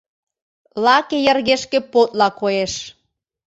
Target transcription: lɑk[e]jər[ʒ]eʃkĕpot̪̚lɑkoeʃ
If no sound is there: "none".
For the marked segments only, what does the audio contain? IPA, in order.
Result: e, ɣ

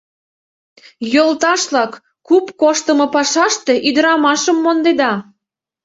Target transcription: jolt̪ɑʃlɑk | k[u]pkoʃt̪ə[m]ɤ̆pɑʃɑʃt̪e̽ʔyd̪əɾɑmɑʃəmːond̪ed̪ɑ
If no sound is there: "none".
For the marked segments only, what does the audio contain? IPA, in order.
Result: u, m

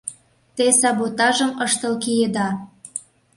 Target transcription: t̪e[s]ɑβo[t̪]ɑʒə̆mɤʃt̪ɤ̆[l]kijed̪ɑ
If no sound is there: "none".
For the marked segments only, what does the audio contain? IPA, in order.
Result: s, t̪, l

